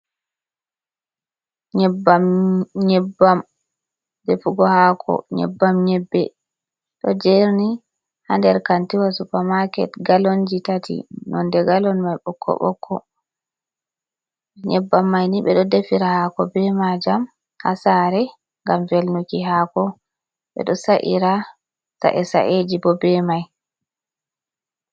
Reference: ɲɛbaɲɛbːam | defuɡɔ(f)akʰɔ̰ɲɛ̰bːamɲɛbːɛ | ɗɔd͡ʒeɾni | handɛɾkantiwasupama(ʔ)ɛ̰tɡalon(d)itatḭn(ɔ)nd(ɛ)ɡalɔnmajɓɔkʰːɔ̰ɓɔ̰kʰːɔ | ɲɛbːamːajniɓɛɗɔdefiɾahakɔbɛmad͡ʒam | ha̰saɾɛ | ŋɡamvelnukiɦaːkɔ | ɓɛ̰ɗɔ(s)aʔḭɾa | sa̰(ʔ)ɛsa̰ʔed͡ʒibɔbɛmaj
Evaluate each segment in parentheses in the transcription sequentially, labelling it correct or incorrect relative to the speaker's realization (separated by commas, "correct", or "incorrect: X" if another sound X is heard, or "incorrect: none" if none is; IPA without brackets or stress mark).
incorrect: h, incorrect: k, incorrect: d͡ʒ, correct, correct, correct, correct